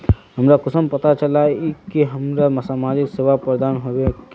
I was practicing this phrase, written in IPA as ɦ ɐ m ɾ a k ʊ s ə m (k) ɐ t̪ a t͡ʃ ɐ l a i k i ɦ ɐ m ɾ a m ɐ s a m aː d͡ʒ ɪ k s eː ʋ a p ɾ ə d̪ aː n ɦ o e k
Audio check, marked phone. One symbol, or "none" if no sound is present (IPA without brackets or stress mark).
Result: p